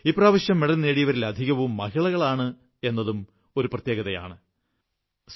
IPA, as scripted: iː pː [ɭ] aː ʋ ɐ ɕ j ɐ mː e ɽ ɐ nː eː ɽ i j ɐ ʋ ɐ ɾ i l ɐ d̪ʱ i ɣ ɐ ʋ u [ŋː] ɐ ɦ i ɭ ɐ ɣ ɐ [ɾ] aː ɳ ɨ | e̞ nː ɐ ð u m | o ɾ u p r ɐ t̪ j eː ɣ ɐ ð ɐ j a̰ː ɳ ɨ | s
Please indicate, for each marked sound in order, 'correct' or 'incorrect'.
incorrect, incorrect, incorrect

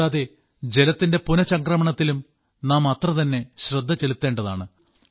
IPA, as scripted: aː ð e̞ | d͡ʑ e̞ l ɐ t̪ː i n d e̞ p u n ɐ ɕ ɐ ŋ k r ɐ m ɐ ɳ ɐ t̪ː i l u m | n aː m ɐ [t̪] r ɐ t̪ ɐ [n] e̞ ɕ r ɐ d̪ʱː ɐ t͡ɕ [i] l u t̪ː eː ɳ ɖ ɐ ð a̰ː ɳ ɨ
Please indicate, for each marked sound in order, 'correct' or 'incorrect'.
correct, incorrect, incorrect

